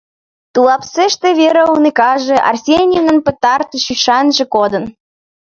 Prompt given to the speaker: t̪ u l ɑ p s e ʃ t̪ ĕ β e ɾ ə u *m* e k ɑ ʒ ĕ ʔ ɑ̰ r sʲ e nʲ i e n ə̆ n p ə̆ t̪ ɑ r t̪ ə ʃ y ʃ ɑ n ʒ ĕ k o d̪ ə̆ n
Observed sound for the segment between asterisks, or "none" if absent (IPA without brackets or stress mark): n